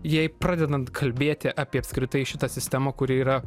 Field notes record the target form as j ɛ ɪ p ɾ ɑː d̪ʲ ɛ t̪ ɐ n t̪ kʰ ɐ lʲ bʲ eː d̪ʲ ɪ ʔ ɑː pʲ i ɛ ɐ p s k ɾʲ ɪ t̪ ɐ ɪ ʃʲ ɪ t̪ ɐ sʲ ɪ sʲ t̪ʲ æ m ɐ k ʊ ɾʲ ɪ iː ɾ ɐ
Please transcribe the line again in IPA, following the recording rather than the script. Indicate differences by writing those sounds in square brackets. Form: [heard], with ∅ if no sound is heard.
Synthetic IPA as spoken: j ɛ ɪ p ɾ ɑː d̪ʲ ɛ [d̪] ɐ n t̪ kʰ ɐ lʲ bʲ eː [t̪ʲ] ɪ ʔ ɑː pʲ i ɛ ɐ p s k ɾʲ ɪ t̪ ɐ ɪ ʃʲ ɪ t̪ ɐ sʲ ɪ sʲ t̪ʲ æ m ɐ k ʊ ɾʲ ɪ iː ɾ ɐ

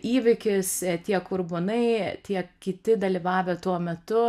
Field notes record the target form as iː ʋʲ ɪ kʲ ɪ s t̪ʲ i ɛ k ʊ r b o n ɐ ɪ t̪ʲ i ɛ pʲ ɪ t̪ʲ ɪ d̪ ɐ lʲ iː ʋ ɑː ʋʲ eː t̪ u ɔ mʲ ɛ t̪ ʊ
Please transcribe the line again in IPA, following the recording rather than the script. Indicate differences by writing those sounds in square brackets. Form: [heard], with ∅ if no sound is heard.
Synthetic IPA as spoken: iː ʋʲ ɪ kʲ ɪ s t̪ʲ i ɛ k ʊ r b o n ɐ ɪ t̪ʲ i ɛ [kʲ] ɪ t̪ʲ ɪ d̪ ɐ lʲ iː ʋ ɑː ʋʲ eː t̪ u ɔ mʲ ɛ t̪ ʊ

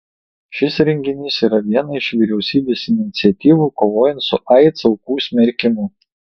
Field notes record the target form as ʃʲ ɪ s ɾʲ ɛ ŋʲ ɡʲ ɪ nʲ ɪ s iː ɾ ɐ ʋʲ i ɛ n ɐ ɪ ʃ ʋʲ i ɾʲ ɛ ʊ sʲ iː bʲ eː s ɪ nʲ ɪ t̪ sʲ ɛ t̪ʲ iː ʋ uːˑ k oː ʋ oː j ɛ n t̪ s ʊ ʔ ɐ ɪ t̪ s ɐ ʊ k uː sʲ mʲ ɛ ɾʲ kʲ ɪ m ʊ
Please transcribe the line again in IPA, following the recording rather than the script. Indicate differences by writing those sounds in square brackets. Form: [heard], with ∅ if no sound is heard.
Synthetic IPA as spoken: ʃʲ ɪ s ɾʲ ɛ ŋʲ ɡʲ ɪ nʲ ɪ s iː ɾ ɐ ʋʲ i ɛ n ɐ ɪ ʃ ʋʲ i ɾʲ ɛ ʊ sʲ iː bʲ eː s ɪ nʲ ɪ t̪ sʲ ɛ t̪ʲ iː ʋ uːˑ k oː ʋ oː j ɛ n t̪ s ʊ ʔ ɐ ɪ t̪ s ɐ ʊ k uː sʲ mʲ ɛ ɾʲ kʲ ɪ m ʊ

